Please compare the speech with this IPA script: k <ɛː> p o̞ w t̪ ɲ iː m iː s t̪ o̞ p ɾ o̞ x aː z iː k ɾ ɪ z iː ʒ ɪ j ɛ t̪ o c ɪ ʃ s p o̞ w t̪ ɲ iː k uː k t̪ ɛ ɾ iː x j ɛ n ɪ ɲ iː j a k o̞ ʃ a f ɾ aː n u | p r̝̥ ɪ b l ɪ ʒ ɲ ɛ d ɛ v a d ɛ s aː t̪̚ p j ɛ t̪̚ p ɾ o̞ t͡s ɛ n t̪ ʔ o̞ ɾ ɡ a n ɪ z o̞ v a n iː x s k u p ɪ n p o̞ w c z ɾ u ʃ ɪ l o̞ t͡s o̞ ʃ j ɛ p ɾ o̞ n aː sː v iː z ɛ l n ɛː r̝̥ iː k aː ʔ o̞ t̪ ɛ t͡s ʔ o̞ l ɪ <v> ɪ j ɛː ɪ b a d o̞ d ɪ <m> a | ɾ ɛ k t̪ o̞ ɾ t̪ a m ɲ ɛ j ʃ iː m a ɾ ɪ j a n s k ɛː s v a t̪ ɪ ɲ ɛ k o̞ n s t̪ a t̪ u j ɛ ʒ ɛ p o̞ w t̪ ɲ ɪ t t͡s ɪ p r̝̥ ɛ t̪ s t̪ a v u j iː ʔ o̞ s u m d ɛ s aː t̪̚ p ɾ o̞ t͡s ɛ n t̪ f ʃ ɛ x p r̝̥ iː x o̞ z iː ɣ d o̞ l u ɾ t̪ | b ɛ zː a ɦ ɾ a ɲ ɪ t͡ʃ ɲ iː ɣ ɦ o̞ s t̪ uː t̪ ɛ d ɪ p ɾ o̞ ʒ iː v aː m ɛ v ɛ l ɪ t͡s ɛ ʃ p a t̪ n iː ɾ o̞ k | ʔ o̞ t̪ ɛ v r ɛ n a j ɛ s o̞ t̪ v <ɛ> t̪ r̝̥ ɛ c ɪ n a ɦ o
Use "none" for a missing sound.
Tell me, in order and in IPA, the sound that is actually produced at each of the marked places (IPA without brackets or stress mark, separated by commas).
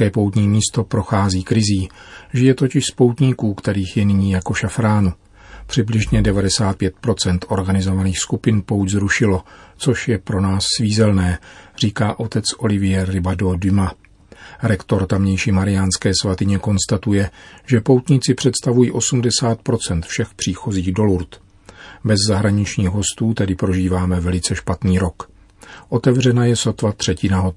ɛː, v, m, a